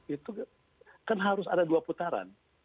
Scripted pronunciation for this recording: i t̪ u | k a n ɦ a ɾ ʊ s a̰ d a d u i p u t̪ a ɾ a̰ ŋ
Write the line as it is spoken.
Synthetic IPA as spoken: i t̪ u | k a n ɦ a ɾ ʊ s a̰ d a d u a p u t̪ a ɾ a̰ n